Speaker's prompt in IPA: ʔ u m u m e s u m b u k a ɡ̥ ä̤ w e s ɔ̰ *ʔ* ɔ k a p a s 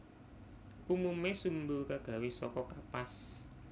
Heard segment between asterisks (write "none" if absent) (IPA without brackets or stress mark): k